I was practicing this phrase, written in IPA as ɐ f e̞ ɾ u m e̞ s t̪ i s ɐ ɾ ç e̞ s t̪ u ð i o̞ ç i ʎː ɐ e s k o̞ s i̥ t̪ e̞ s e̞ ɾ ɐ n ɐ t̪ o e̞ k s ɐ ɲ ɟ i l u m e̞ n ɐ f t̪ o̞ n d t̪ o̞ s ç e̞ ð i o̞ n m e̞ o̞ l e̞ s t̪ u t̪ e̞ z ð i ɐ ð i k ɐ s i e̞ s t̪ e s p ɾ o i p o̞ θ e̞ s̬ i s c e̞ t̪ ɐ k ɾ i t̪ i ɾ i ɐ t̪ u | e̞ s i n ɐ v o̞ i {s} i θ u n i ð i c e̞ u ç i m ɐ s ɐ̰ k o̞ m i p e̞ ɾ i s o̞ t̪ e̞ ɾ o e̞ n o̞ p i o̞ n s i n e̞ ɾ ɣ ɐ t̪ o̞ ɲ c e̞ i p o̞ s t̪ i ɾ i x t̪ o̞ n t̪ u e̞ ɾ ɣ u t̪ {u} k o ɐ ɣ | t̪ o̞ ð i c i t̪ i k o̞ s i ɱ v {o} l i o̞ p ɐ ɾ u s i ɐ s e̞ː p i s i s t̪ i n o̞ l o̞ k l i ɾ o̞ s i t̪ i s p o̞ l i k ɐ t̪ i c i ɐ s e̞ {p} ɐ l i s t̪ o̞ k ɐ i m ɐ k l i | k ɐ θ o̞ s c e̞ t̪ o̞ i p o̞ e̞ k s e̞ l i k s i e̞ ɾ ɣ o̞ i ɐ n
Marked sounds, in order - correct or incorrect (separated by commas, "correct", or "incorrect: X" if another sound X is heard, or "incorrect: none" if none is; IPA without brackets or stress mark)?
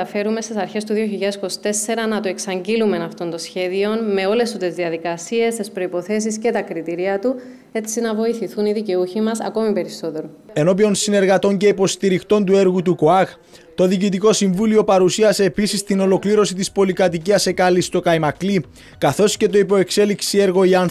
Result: incorrect: θ, correct, incorrect: u, incorrect: k